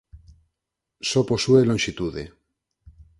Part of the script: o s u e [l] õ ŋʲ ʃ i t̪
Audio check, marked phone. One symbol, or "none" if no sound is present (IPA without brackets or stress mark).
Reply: l